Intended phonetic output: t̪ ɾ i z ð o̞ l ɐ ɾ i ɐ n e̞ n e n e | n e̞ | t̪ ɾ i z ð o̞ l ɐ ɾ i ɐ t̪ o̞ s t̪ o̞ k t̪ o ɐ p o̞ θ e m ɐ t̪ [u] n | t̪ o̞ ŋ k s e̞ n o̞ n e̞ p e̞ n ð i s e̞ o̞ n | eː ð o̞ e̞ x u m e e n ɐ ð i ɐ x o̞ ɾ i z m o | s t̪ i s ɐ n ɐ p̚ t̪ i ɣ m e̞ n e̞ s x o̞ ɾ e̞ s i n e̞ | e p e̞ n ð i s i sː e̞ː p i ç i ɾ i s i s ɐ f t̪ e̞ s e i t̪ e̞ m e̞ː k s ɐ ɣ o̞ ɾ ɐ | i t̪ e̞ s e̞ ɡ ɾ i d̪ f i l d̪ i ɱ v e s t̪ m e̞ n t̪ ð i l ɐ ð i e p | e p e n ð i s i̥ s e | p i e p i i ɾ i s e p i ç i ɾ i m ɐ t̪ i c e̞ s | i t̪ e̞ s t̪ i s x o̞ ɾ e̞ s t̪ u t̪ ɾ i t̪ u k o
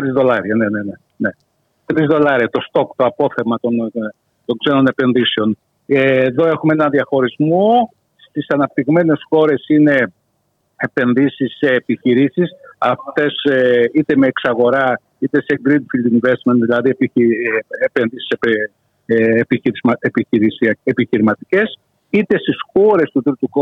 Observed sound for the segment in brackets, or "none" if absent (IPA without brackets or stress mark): o